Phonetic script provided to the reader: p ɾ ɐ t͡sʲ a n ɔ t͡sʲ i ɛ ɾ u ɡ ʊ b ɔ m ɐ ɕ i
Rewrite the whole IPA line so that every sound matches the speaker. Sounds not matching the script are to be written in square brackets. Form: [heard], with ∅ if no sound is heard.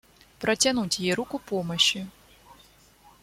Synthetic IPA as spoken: p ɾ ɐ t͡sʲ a n [u] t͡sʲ [j] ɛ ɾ u [k] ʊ [p] ɔ m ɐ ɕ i